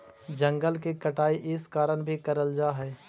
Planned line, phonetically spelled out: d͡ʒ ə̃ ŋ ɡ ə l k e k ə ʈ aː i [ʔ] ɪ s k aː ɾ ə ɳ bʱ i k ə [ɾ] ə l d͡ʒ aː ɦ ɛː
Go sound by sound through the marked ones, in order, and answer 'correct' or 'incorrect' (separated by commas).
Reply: correct, correct